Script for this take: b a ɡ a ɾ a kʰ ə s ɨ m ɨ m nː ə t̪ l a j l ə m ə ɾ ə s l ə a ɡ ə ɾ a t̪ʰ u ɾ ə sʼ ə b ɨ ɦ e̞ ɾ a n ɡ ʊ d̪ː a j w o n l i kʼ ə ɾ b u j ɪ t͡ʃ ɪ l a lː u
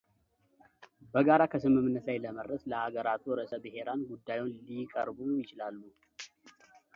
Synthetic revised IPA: b ə ɡ a ɾ a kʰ ə s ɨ m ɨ m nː ə t̪ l a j l ə m ə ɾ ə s l ə a ɡ ə ɾ a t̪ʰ u ɾ ə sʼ ə b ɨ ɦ e̞ ɾ a n ɡ u d̪ː a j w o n l i kʼ ə ɾ b u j ɪ t͡ʃ ɪ l a lː u